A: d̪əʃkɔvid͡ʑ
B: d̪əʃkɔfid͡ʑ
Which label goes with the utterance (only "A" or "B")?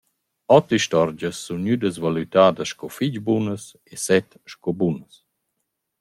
B